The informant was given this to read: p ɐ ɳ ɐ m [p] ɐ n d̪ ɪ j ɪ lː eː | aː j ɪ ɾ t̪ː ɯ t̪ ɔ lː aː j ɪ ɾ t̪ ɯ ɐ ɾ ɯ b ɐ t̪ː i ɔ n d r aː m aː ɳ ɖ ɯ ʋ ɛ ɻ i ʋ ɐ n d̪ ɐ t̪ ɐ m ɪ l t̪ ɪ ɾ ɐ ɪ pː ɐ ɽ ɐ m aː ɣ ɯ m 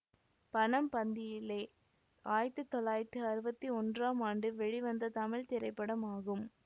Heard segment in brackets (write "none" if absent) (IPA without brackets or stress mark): p